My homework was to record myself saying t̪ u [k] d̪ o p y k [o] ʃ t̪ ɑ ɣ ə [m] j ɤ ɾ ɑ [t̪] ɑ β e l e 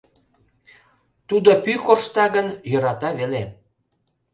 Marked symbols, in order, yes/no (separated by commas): no, yes, no, yes